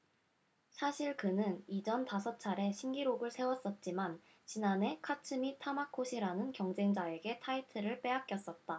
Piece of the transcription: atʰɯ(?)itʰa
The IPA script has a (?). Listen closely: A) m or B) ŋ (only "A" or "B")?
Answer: A